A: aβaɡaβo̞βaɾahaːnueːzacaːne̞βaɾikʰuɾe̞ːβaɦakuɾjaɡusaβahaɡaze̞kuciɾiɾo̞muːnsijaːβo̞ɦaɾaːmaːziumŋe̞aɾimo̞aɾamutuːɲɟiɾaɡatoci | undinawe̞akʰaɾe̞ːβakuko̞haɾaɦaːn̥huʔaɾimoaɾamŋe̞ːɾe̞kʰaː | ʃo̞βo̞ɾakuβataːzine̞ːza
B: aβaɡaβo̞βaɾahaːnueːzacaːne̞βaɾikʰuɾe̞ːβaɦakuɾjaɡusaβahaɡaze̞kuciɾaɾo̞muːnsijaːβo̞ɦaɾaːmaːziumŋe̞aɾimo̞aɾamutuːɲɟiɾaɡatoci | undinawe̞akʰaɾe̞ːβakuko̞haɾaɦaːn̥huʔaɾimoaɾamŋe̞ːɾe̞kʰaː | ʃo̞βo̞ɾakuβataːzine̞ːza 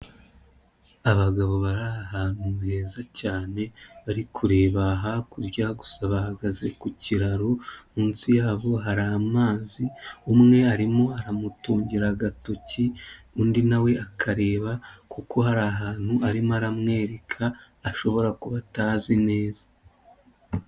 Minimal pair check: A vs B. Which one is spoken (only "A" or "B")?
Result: B